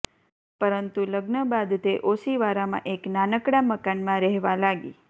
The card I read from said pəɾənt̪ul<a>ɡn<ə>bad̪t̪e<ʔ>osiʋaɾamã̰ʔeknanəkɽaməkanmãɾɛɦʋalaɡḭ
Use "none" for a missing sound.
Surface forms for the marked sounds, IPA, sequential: ə, ə, ʔ

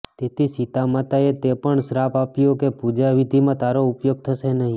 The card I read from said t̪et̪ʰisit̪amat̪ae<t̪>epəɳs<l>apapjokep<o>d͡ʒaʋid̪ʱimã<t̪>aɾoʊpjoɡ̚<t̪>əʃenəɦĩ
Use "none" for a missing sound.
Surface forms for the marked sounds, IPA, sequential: t̪, ɾ, u, t̪, t̪ʰ

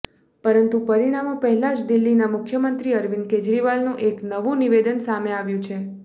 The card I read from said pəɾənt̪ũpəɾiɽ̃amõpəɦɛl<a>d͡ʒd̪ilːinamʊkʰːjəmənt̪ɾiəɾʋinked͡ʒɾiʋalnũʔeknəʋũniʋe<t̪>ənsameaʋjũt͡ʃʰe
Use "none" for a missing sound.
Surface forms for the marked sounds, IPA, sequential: a, d̪

